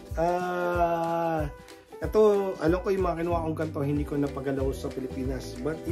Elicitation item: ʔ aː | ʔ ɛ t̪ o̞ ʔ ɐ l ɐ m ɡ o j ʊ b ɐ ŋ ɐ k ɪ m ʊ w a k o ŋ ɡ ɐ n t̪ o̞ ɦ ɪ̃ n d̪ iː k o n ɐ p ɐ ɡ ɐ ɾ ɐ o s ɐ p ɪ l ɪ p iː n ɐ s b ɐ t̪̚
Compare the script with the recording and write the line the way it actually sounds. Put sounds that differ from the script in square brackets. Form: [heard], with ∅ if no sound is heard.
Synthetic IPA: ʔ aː | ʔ ɛ t̪ o̞ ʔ ɐ l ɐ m [k] o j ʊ [m] ɐ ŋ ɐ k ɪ [n] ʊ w a k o ŋ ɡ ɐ n t̪ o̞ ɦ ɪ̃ n d̪ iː k o n ɐ p ɐ ɡ ɐ [l] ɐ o s ɐ p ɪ l ɪ p iː n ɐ s b ɐ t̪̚